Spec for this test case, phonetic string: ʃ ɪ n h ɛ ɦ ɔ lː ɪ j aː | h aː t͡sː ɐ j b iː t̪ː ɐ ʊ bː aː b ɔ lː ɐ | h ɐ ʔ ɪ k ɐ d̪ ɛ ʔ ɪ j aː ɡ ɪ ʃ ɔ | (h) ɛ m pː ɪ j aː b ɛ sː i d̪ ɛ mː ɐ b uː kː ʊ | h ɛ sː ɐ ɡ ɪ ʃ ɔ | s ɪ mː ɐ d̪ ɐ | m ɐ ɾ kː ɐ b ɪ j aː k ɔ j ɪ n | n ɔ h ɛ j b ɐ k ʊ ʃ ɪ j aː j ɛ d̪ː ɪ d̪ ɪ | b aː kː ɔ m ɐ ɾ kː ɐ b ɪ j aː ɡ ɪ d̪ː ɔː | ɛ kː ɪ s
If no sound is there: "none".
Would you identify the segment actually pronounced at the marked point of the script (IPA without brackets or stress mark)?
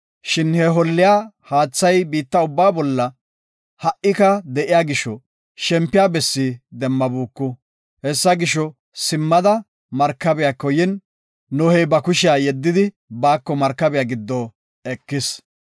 ʃ